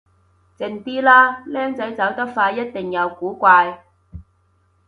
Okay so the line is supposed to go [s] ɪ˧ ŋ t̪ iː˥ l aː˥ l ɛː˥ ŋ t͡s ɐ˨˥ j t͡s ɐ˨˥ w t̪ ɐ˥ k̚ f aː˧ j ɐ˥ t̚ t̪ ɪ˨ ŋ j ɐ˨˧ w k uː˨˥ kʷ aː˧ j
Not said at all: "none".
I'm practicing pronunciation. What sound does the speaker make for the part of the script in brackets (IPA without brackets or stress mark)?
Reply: t͡s